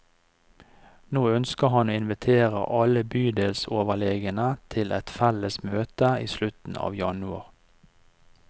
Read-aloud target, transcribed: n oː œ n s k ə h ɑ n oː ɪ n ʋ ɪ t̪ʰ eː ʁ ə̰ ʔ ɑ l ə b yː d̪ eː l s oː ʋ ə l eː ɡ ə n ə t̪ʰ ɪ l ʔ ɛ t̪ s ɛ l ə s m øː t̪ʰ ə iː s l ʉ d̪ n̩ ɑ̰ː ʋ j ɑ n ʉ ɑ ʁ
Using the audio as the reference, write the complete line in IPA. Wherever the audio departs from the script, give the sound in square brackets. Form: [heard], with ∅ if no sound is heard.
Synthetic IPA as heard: n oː œ n s k ə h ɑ n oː ɪ n ʋ ɪ t̪ʰ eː ʁ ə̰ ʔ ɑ l ə b yː d̪ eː l s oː ʋ ə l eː ɡ ə n ə t̪ʰ ɪ l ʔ ɛ t̪ [f] ɛ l ə s m øː [t̪] ə iː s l ʉ [t̪] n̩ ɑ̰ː ʋ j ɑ n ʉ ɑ ʁ